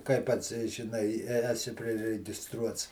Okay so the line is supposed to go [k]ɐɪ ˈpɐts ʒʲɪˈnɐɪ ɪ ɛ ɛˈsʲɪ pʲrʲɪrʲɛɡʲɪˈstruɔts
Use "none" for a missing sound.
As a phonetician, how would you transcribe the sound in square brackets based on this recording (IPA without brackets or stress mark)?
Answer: k